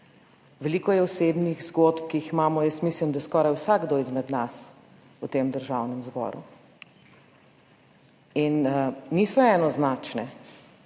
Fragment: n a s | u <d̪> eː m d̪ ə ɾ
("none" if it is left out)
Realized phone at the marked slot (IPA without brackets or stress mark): t̪